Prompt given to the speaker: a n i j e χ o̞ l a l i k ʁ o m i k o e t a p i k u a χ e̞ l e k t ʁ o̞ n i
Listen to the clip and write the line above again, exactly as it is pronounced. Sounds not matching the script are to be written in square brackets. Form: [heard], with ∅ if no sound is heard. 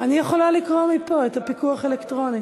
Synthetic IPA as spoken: a n i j e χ o̞ l a l i k ʁ o m i [p] o e t a p i k u a χ e̞ l e k t ʁ o̞ n i